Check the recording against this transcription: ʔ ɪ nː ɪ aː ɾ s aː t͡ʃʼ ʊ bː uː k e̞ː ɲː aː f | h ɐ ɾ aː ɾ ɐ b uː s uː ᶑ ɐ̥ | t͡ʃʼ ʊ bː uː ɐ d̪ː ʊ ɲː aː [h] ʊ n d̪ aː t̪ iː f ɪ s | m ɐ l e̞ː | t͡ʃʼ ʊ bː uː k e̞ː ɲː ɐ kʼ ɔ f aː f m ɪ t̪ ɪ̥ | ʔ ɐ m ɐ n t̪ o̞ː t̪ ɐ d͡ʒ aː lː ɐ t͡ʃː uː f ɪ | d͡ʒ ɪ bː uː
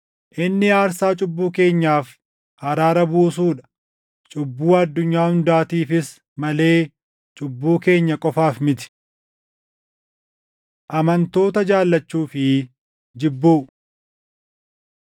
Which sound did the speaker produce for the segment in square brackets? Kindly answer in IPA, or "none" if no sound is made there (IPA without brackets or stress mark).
h